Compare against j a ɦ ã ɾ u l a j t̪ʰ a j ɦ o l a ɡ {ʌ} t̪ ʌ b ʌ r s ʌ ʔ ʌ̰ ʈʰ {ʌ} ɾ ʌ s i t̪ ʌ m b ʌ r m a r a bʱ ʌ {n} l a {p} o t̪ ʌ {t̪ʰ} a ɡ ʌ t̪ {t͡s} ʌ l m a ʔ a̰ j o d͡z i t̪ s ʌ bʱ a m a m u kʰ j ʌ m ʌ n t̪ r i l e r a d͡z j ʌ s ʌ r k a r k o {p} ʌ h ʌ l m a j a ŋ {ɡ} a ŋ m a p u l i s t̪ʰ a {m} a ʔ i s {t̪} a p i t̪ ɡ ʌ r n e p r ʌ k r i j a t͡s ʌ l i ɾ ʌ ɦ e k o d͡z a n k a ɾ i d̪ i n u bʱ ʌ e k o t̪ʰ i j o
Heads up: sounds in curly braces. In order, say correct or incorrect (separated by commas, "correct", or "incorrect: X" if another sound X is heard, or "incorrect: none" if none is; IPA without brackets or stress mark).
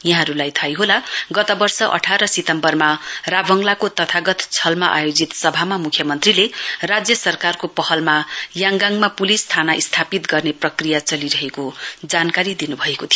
correct, incorrect: a, incorrect: ŋ, incorrect: k, correct, incorrect: t͡sʰ, correct, correct, incorrect: n, incorrect: t̪ʰ